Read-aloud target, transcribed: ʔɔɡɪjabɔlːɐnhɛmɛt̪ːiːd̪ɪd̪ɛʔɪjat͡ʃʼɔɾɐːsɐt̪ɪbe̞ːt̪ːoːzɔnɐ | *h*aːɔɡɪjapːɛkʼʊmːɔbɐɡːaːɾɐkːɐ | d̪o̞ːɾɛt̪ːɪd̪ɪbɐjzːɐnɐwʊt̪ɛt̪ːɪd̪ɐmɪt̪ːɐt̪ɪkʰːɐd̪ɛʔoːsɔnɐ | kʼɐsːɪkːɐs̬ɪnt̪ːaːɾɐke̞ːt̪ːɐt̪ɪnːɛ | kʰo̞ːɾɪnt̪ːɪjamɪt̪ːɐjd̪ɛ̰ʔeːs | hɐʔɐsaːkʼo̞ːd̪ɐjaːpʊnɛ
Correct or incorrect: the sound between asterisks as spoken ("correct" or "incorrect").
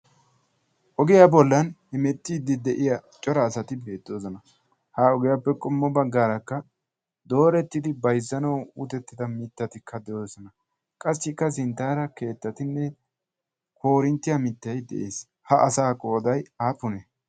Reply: correct